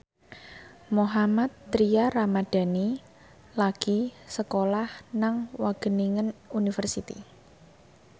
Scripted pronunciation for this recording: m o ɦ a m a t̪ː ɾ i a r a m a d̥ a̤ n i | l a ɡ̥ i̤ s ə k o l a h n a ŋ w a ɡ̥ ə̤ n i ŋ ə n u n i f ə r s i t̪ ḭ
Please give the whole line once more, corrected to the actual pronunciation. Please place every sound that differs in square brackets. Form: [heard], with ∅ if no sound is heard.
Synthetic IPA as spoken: m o ɦ a m a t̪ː ɾ i a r a m a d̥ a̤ n i | l a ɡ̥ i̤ s ə k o l a h n a ŋ w a ɡ̥ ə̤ n i ŋ ə n u n i f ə r s i t̪ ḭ